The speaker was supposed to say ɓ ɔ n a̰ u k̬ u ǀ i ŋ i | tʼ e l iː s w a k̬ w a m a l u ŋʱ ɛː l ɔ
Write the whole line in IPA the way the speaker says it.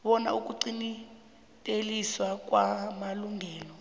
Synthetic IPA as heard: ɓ ɔ n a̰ u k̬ u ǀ i n i | tʼ e l i s w a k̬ w a m a l u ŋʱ ɛː l ɔ